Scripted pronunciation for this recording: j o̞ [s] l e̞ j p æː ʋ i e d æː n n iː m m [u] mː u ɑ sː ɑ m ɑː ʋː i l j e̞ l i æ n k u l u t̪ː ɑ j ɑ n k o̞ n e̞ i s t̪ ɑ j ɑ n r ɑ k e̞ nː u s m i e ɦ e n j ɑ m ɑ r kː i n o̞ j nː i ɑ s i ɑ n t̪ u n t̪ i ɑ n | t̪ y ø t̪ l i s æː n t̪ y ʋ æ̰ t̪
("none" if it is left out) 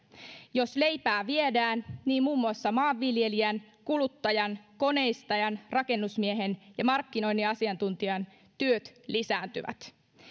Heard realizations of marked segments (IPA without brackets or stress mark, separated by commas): s, uː